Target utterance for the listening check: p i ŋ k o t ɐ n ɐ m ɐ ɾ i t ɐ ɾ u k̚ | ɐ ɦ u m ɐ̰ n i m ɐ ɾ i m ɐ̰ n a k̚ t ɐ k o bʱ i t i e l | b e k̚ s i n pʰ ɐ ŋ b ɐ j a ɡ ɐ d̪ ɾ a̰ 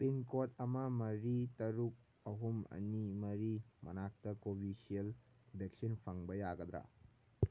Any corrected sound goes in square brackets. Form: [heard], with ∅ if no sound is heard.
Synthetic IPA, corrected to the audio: p i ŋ k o t ɐ [m] ɐ m ɐ ɾ i t ɐ ɾ u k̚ | ɐ ɦ u m ɐ̰ n i m ɐ ɾ i m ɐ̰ n a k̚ t ɐ k o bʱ i [s] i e l | b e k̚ s i n pʰ ɐ ŋ b ɐ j a ɡ ɐ d̪ ɾ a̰

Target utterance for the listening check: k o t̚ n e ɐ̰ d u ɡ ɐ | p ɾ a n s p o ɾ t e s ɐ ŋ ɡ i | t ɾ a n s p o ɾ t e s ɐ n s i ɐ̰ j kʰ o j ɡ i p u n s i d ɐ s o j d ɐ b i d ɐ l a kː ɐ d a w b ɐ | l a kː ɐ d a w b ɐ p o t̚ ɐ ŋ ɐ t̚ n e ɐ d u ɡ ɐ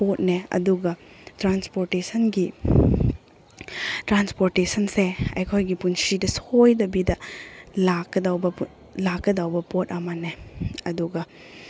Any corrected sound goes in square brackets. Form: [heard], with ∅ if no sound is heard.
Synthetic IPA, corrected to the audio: [p] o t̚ n e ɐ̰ d u ɡ ɐ | [t] ɾ a n s p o ɾ t e s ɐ [n] ɡ i | t ɾ a n s p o ɾ t e s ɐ n s [e] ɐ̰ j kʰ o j ɡ i p u n s i d ɐ s o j d ɐ b i d ɐ l a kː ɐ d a w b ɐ | l a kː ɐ d a w b ɐ p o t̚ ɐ [m] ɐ [∅] n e ɐ d u ɡ ɐ

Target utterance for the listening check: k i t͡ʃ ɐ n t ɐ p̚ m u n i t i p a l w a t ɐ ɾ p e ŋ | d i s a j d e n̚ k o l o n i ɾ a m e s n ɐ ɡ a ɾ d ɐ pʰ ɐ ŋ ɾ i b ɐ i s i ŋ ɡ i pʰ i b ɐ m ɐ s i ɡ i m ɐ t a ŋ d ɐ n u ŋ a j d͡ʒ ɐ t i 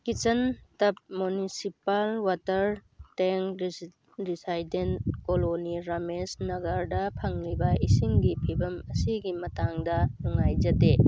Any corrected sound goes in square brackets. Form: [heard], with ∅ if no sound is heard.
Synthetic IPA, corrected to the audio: k i t͡ʃ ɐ n t ɐ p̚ m u n i [s] i p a l w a t ɐ ɾ [t] e ŋ | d i s a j d e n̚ k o l o n i ɾ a m e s n ɐ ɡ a ɾ d ɐ pʰ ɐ ŋ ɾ i b ɐ i s i ŋ ɡ i pʰ i b ɐ m ɐ s i ɡ i m ɐ t a ŋ d ɐ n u ŋ a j d͡ʒ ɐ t [e]

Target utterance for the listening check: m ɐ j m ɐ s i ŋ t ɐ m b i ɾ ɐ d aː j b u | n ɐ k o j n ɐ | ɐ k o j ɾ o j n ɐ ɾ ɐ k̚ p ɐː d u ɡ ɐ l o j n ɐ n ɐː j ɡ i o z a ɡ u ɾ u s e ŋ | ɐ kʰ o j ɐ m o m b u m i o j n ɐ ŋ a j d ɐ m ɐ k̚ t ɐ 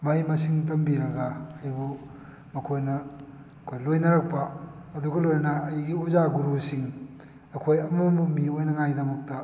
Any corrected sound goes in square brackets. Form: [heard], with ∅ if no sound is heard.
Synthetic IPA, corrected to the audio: m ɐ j m ɐ s i ŋ t ɐ m b i ɾ ɐ [ɡ] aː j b u | [m] ɐ [kʰ] o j n ɐ | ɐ [kʰ] o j [l] o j n ɐ ɾ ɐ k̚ p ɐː d u ɡ ɐ l o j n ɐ n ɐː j ɡ i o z a ɡ u ɾ u s [i] ŋ | ɐ kʰ o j ɐ m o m b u m i o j n ɐ ŋ a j d ɐ m ɐ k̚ t ɐ

